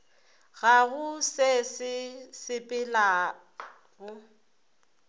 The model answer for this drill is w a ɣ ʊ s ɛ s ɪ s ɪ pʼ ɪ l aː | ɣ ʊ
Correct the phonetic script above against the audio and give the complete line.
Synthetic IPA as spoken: ɣ a ɣ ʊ s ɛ s ɪ s ɪ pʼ ɪ l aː | ɣ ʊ

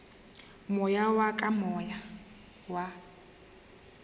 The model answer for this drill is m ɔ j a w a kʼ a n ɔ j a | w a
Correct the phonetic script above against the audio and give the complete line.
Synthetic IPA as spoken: m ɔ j a w a kʼ a m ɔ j a | w a

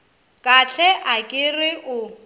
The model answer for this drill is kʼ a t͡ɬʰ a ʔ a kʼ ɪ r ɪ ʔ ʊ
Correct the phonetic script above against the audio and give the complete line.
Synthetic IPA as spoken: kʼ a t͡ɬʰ ɛ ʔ a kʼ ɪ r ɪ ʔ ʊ

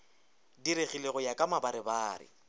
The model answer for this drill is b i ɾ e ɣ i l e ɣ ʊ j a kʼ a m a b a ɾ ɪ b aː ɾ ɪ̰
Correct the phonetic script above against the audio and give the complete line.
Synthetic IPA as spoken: d i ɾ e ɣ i l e ɣ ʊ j a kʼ a m a b a ɾ ɪ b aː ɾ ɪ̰

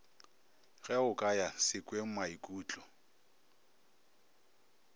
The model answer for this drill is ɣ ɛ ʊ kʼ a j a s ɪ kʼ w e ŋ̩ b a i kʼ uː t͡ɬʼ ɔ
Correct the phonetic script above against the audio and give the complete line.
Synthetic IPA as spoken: ɣ ɛ ʊ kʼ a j a s ɪ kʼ w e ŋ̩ m a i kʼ uː t͡ɬʼ ɔ

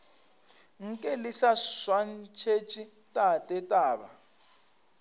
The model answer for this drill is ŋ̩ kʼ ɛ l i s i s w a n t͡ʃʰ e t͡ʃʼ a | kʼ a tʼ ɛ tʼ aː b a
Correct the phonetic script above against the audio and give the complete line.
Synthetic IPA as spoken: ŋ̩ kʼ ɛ l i s a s w a n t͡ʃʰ e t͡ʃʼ i | tʼ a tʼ ɛ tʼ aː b a

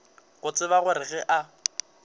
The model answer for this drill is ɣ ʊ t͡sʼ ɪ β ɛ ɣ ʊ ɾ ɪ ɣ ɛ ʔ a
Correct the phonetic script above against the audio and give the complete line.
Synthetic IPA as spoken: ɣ ʊ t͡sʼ ɪ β a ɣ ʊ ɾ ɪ ɣ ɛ ʔ a

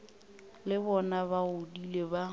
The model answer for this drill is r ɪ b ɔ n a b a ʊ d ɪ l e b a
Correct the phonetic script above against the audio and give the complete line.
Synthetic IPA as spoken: l ɪ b ɔ n a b a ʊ d i l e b a

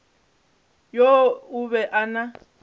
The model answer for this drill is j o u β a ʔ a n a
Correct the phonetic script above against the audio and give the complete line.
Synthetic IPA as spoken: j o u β ɛ ʔ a n a

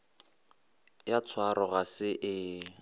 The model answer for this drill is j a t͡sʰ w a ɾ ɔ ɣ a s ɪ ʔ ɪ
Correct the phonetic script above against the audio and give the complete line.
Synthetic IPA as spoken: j a t͡sʰ w a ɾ ɔ ɣ a s ɪ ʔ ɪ

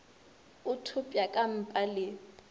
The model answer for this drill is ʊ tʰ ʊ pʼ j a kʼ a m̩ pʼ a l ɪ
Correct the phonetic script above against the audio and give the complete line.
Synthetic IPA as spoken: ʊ tʰ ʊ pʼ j a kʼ a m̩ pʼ a l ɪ

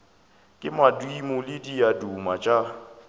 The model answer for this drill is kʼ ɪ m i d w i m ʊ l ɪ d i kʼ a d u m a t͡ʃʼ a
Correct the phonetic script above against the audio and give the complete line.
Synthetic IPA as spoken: kʼ ɪ m a d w i m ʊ l ɪ d i a d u m a t͡ʃʼ a

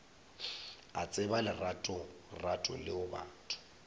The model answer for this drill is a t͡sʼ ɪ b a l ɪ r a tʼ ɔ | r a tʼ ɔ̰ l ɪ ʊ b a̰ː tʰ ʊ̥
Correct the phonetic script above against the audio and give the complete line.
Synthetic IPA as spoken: a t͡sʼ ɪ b a l ɪ r a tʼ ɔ | r a tʼ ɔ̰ l ɪ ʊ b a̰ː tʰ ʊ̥

